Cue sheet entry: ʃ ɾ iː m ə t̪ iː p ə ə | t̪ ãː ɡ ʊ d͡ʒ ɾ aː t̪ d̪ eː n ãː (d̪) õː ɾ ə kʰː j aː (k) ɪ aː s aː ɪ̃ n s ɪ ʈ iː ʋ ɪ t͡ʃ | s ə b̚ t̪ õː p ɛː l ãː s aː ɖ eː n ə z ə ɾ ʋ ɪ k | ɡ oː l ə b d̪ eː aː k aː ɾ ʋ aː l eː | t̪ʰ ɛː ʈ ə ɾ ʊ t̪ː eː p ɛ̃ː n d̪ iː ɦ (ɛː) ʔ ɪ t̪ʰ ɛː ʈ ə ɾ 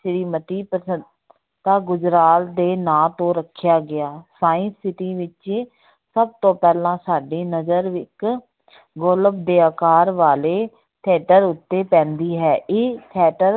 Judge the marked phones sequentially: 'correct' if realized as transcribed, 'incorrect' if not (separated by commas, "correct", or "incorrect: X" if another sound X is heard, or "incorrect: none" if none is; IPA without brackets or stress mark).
incorrect: t̪, incorrect: ɡ, correct